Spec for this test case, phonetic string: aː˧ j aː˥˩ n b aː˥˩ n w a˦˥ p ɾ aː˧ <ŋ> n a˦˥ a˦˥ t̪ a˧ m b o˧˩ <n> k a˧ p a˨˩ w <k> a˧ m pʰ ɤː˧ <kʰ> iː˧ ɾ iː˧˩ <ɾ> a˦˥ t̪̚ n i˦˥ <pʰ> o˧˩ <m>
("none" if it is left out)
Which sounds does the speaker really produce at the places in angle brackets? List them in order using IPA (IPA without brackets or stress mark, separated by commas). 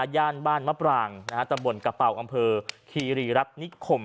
ŋ, n, ʔ, kʰ, ɾ, kʰ, m